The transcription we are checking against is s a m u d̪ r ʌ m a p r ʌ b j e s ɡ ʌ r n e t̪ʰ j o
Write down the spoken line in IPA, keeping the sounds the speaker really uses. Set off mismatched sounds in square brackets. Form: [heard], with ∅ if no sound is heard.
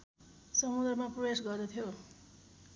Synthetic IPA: s [ʌ] m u d̪ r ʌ m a p r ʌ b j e s ɡ ʌ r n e t̪ʰ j o

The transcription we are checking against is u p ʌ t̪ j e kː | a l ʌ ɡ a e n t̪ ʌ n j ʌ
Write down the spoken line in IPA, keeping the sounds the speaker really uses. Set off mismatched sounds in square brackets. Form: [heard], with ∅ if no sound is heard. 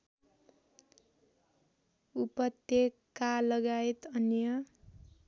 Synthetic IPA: u p ʌ t̪ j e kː | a l ʌ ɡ a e [∅] t̪ ʌ n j ʌ

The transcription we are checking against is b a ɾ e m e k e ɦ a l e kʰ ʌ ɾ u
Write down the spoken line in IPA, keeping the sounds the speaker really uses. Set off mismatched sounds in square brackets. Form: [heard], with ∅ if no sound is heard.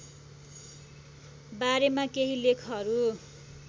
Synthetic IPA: b a ɾ e m [a] k e ɦ [i] l e kʰ ʌ ɾ u

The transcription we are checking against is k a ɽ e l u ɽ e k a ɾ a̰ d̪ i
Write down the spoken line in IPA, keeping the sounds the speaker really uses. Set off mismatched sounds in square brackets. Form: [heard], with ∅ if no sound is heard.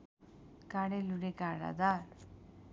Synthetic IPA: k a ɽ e l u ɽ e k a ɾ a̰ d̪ [a]

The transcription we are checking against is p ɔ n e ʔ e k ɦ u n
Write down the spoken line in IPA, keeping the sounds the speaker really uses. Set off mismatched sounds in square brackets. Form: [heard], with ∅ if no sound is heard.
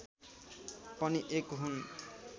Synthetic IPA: p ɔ n [i] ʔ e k ɦ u n

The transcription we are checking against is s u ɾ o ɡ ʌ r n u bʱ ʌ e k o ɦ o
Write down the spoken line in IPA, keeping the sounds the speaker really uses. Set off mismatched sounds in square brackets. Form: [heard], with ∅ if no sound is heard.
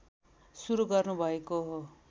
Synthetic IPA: s u ɾ [u] ɡ ʌ r n u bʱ ʌ e k o ɦ o

